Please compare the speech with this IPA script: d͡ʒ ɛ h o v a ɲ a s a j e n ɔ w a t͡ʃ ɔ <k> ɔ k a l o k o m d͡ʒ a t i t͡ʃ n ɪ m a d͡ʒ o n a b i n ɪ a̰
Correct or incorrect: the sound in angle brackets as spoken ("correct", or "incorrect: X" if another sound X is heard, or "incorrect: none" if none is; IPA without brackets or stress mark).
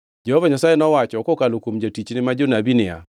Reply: correct